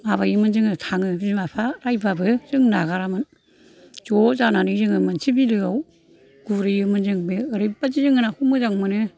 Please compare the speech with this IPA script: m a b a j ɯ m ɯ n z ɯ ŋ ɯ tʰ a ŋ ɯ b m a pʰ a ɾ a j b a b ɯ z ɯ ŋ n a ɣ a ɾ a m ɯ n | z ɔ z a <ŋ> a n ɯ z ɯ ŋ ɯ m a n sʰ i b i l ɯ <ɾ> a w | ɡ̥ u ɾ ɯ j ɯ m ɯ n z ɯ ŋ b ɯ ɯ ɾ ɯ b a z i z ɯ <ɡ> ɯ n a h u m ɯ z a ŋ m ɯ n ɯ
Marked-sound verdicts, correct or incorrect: incorrect: n, incorrect: none, incorrect: ŋ

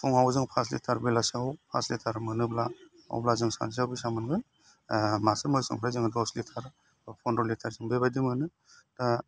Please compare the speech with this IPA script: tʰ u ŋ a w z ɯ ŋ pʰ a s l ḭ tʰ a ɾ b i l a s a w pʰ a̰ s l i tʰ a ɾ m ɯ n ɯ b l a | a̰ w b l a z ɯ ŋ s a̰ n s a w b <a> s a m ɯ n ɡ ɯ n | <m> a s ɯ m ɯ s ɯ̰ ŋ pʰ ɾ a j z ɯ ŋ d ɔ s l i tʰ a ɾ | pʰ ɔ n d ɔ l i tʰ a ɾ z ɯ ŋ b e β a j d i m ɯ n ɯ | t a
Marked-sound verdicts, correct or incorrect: incorrect: i, correct

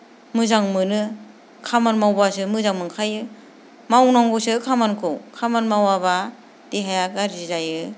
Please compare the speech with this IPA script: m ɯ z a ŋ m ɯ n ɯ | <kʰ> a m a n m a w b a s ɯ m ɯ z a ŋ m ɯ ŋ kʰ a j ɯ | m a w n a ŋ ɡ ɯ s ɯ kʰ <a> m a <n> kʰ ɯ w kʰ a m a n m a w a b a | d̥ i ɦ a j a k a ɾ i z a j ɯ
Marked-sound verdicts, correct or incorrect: correct, correct, correct

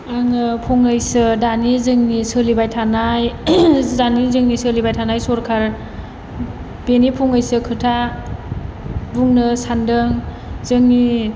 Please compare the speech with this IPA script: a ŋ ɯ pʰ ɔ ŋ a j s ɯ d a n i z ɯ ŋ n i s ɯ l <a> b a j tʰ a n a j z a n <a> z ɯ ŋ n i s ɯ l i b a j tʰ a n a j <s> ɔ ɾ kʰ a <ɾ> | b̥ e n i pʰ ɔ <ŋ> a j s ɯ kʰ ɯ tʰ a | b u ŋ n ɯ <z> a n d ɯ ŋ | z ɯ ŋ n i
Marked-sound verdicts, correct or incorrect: incorrect: i, incorrect: i, correct, correct, correct, incorrect: s

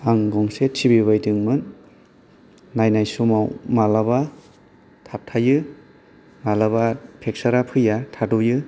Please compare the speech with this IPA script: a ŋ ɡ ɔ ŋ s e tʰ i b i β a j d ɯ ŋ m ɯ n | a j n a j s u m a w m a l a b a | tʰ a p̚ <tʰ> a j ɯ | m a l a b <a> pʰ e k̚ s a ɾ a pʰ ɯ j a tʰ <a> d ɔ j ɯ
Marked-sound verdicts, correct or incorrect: correct, correct, correct

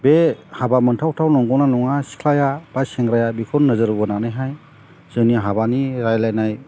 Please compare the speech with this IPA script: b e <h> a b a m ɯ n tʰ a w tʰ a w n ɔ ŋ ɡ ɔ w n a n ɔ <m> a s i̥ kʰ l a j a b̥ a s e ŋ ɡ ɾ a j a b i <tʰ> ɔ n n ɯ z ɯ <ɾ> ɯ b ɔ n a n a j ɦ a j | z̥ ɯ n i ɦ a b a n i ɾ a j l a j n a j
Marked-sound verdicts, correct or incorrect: correct, incorrect: ŋ, incorrect: kʰ, correct

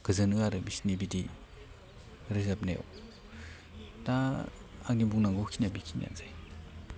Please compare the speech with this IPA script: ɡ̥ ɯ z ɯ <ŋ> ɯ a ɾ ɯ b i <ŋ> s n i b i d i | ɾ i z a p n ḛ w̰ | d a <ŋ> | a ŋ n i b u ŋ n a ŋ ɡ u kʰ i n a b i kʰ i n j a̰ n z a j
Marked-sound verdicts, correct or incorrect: incorrect: n, incorrect: none, incorrect: none

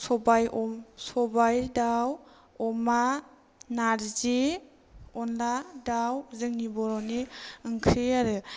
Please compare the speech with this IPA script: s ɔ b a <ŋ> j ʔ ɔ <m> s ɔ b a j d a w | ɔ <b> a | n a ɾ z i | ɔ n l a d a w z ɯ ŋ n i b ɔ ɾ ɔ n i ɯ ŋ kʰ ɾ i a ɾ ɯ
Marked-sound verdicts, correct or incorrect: incorrect: none, correct, incorrect: m

